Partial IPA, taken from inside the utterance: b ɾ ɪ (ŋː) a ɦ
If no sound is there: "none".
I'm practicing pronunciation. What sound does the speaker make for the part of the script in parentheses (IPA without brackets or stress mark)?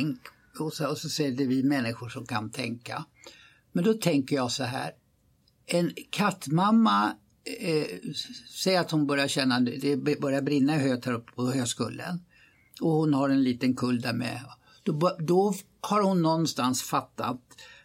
nː